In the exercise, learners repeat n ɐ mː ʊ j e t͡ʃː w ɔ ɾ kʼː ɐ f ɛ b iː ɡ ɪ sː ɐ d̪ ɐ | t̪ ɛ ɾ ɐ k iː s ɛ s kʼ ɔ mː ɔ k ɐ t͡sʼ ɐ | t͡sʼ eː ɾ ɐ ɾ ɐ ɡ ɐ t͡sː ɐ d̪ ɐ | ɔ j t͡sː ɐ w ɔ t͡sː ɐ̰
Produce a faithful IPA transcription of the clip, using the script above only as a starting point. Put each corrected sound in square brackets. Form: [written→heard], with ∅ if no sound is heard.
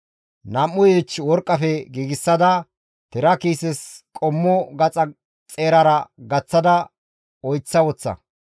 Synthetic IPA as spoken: n ɐ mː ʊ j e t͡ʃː w ɔ ɾ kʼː ɐ f ɛ [b→ɡ] iː ɡ ɪ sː ɐ d̪ ɐ | t̪ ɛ ɾ ɐ k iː s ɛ s kʼ ɔ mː ɔ [k→ɡ] ɐ t͡sʼ ɐ | t͡sʼ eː ɾ ɐ ɾ ɐ ɡ ɐ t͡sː ɐ d̪ ɐ | ɔ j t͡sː ɐ w ɔ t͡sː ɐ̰

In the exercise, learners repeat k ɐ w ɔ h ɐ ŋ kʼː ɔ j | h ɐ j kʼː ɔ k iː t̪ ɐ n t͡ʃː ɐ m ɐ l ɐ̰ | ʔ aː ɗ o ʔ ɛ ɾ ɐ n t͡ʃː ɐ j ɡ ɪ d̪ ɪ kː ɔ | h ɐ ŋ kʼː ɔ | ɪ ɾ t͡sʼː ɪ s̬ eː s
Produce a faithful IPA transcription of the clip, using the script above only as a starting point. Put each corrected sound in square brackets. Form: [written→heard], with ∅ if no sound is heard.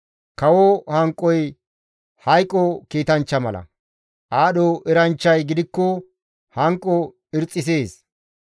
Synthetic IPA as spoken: k ɐ w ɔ h ɐ ŋ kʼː ɔ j | h ɐ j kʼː ɔ k iː t̪ ɐ n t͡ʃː ɐ m ɐ l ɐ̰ | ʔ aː ɗ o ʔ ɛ ɾ ɐ n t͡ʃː ɐ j ɡ ɪ d̪ ɪ kː ɔ | h ɐ ŋ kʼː ɔ | ɪ ɾ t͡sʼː ɪ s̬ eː s

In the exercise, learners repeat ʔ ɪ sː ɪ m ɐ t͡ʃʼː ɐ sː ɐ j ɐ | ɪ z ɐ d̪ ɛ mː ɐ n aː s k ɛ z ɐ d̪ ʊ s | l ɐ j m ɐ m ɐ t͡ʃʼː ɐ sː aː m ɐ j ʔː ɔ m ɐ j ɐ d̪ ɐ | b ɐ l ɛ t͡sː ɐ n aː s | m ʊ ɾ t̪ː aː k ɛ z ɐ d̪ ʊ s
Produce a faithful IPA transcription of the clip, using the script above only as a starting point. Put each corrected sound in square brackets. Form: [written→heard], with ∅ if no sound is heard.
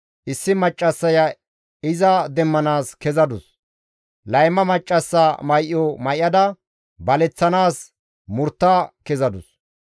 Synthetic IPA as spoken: ʔ ɪ sː ɪ m ɐ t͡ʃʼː ɐ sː ɐ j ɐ | ɪ z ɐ d̪ ɛ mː ɐ n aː s k ɛ z ɐ d̪ ʊ s | l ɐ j m ɐ m ɐ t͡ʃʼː ɐ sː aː m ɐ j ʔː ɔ m ɐ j ɐ d̪ ɐ | b ɐ l ɛ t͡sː ɐ n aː s | m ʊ ɾ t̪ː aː k ɛ z ɐ d̪ ʊ s

